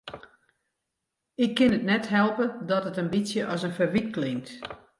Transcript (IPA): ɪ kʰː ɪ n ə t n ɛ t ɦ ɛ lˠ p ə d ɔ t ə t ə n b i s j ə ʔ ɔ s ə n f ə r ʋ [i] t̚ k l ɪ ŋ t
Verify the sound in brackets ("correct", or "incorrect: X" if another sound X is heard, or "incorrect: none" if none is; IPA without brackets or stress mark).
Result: correct